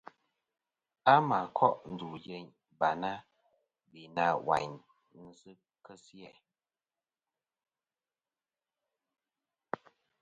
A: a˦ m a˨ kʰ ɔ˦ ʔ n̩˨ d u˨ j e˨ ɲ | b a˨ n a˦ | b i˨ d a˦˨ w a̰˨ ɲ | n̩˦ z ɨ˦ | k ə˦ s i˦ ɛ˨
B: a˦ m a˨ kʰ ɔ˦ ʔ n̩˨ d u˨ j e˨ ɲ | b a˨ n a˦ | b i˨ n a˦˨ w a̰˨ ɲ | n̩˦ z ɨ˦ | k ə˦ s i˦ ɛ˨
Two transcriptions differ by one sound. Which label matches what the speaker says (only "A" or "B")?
B